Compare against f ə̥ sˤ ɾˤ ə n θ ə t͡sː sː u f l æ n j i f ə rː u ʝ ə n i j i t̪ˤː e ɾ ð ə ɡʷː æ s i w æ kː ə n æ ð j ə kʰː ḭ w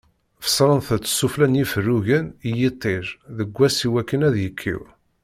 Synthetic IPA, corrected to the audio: f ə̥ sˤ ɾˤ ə n θ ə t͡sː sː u f l æ n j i f ə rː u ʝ ə n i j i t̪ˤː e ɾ ð ə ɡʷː æ s i w æ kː ə n æ ð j ə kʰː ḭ w